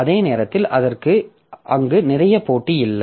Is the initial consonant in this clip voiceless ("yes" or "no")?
no